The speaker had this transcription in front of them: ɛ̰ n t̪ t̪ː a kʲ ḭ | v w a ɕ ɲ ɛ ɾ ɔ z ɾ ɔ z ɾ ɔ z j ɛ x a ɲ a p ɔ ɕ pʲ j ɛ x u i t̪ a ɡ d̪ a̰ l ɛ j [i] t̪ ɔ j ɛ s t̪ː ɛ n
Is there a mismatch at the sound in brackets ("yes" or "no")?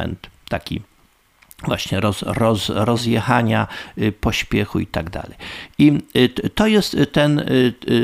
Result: no